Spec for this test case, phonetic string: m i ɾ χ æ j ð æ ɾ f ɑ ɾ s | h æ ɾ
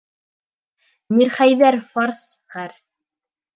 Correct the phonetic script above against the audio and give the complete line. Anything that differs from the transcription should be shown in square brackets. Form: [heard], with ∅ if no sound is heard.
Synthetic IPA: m i ɾ χ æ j ð æ ɾ f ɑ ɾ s | [χ] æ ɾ